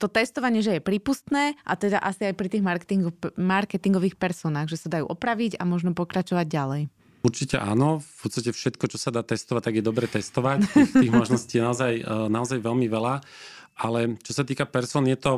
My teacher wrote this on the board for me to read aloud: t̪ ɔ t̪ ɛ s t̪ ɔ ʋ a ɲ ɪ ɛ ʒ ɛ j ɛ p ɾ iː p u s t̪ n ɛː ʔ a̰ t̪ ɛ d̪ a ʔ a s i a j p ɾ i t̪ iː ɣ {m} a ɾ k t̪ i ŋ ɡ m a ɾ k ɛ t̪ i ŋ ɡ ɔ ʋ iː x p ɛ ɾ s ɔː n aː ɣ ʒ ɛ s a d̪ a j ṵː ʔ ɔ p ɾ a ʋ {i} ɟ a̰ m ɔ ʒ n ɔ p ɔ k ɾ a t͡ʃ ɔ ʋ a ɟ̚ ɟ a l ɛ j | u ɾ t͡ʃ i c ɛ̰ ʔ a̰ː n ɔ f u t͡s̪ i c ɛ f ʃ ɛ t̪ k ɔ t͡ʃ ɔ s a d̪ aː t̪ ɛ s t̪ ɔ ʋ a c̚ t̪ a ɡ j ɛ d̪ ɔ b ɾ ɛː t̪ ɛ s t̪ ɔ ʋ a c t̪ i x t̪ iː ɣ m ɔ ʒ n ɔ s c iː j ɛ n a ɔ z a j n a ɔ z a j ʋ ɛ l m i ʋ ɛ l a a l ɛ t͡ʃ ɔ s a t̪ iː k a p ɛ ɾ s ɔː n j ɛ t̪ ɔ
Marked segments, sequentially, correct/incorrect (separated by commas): correct, correct